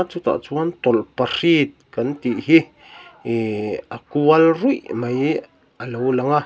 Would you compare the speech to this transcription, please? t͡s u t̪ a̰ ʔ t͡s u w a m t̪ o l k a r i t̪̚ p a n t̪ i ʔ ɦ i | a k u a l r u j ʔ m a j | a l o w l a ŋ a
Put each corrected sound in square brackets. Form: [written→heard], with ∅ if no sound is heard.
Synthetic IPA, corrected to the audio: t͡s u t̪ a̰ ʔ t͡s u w a [m→n] t̪ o l [k→p] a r i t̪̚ [p→k] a n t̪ i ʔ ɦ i | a k u a l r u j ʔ m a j | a l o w l a ŋ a